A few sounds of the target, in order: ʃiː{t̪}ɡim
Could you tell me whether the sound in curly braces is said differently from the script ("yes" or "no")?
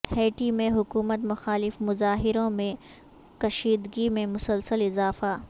yes